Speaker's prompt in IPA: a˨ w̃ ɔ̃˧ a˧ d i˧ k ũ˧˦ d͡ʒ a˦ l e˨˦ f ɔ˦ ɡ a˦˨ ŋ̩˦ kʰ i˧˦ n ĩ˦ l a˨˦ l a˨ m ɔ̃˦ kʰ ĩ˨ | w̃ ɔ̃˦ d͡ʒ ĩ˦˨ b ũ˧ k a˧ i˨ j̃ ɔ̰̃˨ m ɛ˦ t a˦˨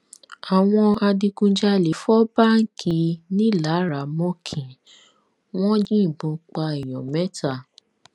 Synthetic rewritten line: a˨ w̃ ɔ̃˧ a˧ d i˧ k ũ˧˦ d͡ʒ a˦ l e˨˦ f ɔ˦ b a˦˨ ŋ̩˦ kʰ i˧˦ n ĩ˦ l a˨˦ ɾ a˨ m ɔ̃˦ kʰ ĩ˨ | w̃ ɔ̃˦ d͡ʒ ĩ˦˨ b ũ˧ k͡p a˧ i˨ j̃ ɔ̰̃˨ m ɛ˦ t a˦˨